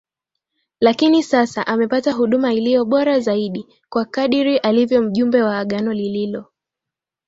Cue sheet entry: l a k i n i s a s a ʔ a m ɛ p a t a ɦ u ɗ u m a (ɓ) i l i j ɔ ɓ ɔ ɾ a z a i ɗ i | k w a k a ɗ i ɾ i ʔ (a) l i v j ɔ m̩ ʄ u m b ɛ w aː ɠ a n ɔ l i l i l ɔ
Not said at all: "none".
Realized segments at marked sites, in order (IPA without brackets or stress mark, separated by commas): none, a